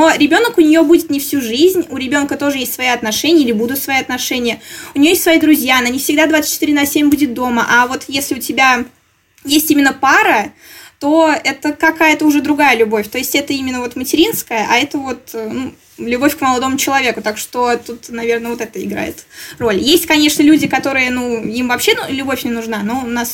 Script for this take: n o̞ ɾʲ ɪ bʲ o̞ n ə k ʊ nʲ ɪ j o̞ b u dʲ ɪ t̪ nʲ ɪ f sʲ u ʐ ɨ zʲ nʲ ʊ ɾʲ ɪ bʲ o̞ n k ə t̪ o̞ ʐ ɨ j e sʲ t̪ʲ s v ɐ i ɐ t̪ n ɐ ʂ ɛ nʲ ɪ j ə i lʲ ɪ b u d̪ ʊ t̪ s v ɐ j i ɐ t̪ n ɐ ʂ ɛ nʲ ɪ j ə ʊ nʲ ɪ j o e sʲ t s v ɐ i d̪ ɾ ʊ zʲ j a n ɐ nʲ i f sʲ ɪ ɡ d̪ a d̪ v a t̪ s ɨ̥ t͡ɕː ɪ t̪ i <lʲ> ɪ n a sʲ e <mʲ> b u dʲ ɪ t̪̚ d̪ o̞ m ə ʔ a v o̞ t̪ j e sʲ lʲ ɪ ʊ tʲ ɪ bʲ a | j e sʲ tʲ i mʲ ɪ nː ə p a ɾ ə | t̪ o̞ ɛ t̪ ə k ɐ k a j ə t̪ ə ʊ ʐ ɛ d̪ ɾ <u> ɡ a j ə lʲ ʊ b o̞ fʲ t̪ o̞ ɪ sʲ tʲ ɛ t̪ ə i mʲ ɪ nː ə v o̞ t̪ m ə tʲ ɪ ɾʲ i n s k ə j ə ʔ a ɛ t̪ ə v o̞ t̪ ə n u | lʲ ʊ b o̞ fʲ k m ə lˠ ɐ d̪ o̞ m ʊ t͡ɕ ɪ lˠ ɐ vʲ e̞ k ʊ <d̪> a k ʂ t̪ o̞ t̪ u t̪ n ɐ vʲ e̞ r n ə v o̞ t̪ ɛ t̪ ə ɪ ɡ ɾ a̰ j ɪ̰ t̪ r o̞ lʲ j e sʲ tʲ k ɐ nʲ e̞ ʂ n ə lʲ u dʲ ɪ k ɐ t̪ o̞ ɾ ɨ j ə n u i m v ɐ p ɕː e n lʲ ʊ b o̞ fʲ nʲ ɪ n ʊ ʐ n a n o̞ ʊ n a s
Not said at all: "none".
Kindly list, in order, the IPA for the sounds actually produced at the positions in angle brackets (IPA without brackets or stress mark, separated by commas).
ɾʲ, mʲ, ʊ, t̪